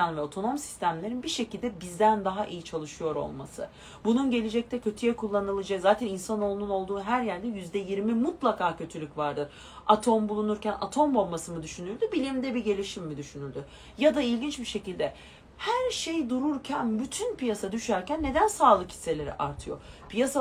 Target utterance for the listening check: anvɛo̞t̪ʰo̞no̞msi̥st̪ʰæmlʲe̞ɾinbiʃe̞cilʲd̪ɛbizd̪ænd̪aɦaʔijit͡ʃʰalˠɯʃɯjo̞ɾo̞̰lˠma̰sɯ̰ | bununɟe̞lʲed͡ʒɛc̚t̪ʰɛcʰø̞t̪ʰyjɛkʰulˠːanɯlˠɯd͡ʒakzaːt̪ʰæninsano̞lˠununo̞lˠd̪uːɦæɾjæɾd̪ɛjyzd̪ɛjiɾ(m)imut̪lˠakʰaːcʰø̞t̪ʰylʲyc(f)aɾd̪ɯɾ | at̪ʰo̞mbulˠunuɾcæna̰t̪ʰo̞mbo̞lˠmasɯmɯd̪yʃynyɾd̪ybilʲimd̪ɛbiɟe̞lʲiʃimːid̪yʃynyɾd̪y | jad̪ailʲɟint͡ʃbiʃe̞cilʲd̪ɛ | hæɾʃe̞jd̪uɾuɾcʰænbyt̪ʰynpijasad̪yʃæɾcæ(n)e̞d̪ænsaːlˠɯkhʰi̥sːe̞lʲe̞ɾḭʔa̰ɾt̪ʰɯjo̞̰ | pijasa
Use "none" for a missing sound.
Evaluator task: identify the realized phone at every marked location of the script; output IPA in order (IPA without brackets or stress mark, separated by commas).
m, v, nː